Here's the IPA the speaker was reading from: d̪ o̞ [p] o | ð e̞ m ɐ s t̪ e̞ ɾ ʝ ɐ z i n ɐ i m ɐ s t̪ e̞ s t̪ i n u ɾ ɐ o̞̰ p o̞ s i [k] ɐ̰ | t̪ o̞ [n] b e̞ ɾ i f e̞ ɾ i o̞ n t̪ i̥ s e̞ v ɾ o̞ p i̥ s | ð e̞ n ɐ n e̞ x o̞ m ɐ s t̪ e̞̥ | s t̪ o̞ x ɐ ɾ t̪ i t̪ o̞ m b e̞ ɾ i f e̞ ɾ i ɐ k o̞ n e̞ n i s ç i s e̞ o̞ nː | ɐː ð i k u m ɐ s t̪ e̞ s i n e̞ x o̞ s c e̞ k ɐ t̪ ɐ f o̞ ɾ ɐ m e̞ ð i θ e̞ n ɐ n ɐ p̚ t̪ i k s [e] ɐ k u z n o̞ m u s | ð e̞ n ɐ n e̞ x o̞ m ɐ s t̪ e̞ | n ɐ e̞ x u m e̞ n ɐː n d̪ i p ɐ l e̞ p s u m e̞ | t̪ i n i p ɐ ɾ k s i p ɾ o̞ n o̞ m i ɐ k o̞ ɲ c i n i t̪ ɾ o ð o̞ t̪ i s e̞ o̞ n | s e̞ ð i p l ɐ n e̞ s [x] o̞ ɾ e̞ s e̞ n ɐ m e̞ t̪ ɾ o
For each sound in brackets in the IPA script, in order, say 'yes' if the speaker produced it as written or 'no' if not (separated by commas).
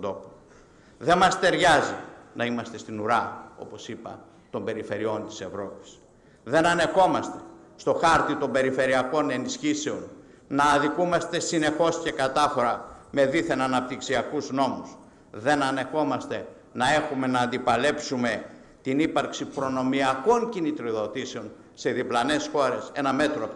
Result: yes, no, no, no, yes